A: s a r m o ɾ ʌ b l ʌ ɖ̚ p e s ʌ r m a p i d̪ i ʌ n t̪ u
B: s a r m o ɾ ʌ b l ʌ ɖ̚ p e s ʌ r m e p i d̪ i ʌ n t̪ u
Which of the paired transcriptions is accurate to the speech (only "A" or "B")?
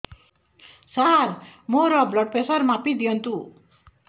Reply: A